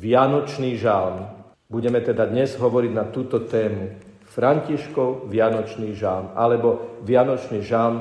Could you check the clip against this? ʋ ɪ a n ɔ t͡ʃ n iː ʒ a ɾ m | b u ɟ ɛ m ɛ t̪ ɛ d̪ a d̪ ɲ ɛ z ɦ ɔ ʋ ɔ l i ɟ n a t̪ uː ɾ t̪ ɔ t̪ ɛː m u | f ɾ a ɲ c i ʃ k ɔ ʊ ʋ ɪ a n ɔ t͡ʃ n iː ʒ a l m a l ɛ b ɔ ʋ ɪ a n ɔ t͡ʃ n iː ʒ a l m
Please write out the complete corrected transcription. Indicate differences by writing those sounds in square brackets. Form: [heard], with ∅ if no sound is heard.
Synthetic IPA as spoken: ʋ ɪ a n ɔ t͡ʃ n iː ʒ a [l] m | b u ɟ ɛ m ɛ t̪ ɛ d̪ a d̪ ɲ ɛ z ɦ ɔ ʋ ɔ [ɾ] i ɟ n a t̪ uː [∅] t̪ ɔ t̪ ɛː m u | f ɾ a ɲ c i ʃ k ɔ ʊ ʋ ɪ a n ɔ t͡ʃ n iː ʒ a l m a l ɛ b ɔ ʋ ɪ a n ɔ t͡ʃ n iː ʒ a l m